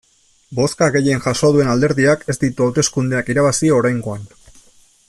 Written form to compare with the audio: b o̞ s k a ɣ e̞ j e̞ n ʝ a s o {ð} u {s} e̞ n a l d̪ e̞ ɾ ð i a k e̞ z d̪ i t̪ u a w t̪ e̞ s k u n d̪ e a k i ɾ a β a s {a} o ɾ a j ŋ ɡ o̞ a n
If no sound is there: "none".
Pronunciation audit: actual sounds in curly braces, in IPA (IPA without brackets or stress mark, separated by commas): ð, none, i